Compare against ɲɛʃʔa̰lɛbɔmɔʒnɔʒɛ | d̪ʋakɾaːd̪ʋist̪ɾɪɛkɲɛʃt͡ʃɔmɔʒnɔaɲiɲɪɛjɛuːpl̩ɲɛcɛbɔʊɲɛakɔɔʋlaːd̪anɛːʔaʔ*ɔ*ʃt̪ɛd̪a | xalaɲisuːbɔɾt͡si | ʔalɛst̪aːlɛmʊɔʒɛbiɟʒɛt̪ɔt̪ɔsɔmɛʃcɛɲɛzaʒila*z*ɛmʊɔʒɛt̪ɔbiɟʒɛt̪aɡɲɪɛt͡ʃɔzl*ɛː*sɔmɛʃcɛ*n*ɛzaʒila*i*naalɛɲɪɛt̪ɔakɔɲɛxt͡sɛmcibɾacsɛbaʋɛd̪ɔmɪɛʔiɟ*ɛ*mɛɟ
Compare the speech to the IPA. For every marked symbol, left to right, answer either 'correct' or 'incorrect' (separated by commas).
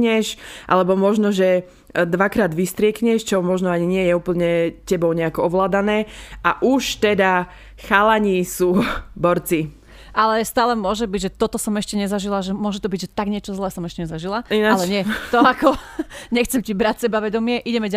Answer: incorrect, incorrect, correct, incorrect, correct, correct